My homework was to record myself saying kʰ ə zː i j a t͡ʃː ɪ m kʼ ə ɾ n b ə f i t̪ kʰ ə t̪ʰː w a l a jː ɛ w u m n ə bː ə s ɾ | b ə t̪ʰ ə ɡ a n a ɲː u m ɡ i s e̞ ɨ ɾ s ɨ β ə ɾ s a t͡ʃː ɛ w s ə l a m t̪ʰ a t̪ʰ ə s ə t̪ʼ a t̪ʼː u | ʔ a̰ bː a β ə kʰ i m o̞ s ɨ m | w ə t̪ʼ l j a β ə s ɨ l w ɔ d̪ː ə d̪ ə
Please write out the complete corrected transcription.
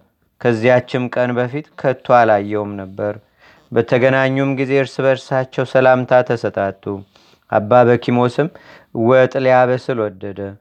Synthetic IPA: kʰ ə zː i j a t͡ʃː ɪ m kʼ ə n b ə f i t̪ kʰ ə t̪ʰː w a l a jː ɛ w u m n ə bː ə ɾ | b ə t̪ʰ ə ɡ ə n a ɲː u m ɡ i z e̞ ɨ ɾ s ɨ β ə ɾ s a t͡ʃː ɛ w s ə l a m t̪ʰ a t̪ʰ ə s ə t̪ʼ a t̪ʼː u | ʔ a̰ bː a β ə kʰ i m o̞ s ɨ m | w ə t̪ʼ l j a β ə s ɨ l w ɔ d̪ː ə d̪ ə